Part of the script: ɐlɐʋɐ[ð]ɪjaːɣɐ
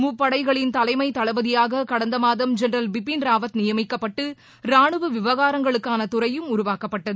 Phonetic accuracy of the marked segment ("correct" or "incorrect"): correct